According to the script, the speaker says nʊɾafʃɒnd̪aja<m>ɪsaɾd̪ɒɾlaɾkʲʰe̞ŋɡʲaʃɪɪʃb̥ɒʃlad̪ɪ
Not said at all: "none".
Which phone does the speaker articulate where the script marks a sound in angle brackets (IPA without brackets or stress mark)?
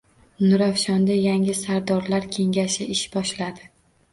ŋ